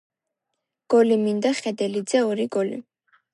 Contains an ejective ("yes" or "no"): no